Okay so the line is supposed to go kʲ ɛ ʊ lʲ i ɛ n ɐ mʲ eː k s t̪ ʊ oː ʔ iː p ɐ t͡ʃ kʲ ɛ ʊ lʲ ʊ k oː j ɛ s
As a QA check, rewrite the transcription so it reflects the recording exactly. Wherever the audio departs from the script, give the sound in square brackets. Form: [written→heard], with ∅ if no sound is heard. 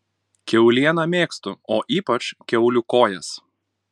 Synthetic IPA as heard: kʲ ɛ ʊ lʲ i ɛ n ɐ mʲ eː k s t̪ ʊ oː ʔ iː p ɐ t͡ʃ kʲ ɛ ʊ lʲ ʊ k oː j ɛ s

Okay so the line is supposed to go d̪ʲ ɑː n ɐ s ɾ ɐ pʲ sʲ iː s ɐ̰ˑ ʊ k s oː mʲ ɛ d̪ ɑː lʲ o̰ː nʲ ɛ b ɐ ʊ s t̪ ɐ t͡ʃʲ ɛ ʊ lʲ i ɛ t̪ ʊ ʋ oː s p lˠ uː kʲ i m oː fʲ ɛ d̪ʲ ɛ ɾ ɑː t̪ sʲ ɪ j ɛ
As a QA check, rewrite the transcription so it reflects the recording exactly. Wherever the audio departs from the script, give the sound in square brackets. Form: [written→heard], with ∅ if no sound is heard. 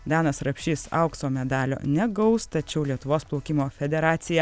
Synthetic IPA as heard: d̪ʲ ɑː n ɐ s ɾ ɐ pʲ [sʲ→ʃʲ] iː s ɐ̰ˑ ʊ k s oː mʲ ɛ d̪ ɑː lʲ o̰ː nʲ ɛ [b→ɡ] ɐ ʊ s t̪ ɐ t͡ʃʲ ɛ ʊ lʲ i ɛ t̪ ʊ ʋ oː s p lˠ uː kʲ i m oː fʲ ɛ d̪ʲ ɛ ɾ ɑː t̪ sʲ ɪ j ɛ

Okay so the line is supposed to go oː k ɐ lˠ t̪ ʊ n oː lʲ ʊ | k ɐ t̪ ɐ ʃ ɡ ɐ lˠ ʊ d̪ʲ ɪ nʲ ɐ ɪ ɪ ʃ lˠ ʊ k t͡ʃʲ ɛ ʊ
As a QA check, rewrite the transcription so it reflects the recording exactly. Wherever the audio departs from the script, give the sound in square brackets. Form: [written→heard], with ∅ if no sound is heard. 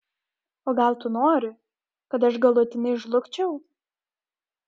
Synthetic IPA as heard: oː [k→ɡ] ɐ lˠ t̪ ʊ n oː [lʲ→ɾʲ] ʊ | k ɐ t̪ ɐ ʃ ɡ ɐ lˠ ʊ [d̪ʲ→t̪ʲ] ɪ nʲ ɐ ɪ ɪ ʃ lˠ ʊ k t͡ʃʲ ɛ ʊ

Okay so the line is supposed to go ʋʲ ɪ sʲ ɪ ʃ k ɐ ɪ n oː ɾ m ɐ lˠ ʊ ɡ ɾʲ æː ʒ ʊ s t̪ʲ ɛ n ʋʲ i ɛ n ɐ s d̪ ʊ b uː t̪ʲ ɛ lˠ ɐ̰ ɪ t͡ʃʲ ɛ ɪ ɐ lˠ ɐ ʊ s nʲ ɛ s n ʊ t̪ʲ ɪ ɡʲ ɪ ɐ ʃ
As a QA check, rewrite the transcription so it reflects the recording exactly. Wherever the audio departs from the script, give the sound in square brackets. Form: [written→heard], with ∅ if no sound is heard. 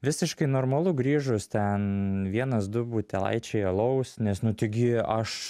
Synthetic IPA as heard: ʋʲ ɪ sʲ ɪ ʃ k ɐ ɪ n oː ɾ m ɐ lˠ ʊ ɡ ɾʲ [æː→iː] ʒ ʊ s t̪ʲ ɛ n ʋʲ i ɛ n ɐ s d̪ ʊ b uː t̪ʲ ɛ lˠ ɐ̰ ɪ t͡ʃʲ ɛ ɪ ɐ lˠ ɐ ʊ s nʲ ɛ s n ʊ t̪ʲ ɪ ɡʲ ɪ ɐ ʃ

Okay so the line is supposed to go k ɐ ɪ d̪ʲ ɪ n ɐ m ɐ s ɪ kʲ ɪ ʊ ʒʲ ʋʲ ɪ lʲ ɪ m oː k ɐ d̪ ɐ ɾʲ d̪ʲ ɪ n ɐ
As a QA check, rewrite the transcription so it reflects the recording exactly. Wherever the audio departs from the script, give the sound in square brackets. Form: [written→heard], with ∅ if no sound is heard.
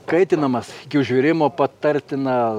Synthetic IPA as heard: k ɐ ɪ [d̪ʲ→t̪ʲ] ɪ n ɐ m ɐ s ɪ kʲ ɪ ʊ ʒʲ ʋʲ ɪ [lʲ→ɾʲ] ɪ m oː [k→p] ɐ [d̪→t̪] ɐ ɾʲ [d̪ʲ→t̪ʲ] ɪ n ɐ

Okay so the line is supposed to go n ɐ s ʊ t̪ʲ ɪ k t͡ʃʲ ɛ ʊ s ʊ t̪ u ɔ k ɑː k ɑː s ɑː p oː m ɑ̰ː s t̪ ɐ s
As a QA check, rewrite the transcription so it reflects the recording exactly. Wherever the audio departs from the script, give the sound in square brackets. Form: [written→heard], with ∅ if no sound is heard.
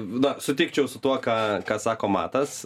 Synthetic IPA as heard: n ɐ s ʊ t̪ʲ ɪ k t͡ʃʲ ɛ ʊ s ʊ t̪ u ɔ k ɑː k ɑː s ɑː [p→k] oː m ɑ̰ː [s→∅] t̪ ɐ s

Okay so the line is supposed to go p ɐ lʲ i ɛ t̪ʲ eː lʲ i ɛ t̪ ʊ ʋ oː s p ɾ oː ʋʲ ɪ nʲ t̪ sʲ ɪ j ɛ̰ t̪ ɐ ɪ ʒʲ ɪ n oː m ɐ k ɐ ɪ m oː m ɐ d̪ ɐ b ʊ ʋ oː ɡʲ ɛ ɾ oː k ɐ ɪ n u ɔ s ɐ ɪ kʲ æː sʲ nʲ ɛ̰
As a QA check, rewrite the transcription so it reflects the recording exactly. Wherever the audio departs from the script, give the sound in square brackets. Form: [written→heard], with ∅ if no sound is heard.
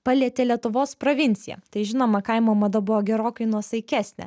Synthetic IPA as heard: p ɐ lʲ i ɛ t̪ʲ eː lʲ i ɛ t̪ ʊ ʋ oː s p ɾ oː ʋʲ ɪ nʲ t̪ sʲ ɪ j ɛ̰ t̪ ɐ ɪ ʒʲ ɪ n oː m ɐ k ɐ ɪ m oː m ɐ d̪ ɐ b ʊ ʋ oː ɡʲ ɛ ɾ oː k ɐ ɪ n u ɔ s ɐ ɪ kʲ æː sʲ nʲ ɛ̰

